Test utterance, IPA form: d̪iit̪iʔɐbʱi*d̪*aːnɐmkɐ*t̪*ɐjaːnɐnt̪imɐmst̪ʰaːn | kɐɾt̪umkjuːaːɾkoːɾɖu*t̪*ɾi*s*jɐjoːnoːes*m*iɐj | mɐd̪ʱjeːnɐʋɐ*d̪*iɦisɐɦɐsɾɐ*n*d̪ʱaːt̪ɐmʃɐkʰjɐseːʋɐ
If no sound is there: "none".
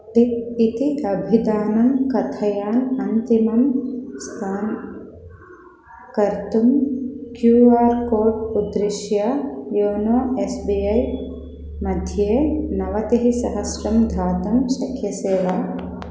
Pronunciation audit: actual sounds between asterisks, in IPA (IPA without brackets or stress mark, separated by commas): d̪, t̪ʰ, d̪, ʃ, b, t̪, m